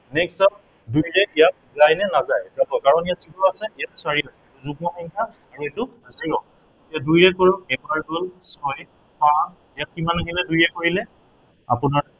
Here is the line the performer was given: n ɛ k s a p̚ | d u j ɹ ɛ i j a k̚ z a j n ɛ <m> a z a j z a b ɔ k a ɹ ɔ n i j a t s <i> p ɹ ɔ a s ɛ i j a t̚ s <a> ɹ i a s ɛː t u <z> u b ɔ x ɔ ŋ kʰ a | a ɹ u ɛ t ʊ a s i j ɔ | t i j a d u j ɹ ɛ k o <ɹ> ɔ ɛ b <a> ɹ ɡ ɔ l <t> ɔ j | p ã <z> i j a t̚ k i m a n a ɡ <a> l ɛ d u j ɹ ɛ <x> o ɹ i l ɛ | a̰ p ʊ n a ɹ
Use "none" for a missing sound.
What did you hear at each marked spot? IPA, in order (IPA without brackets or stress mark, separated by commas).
n, i, a, z, ɹ, a, s, s, i, k